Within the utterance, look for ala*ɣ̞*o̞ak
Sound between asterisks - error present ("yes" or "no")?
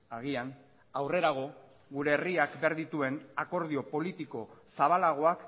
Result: no